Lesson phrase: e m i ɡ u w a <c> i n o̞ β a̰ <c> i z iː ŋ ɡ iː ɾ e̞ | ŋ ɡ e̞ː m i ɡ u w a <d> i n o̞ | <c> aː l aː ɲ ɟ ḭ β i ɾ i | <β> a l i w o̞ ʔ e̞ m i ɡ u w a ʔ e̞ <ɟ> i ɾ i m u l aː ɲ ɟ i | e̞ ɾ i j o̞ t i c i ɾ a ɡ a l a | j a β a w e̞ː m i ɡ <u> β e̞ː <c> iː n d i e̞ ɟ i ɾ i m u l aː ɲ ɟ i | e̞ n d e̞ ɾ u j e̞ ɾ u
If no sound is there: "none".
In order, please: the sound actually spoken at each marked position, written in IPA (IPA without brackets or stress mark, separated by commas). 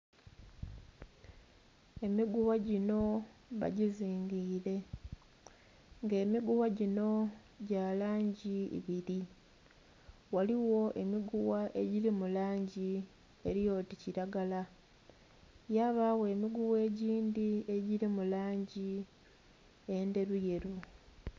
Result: ɟ, ɟ, ɟ, ɟ, w, ɟ, u, ɟ